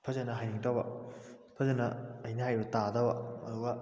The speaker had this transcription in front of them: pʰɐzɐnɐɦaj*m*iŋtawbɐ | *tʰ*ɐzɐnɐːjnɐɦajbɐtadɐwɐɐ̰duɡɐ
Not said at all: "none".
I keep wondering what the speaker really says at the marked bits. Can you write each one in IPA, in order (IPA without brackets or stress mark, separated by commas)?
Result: n, pʰ